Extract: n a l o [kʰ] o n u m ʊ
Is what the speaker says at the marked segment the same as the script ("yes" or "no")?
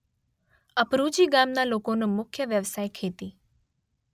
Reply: no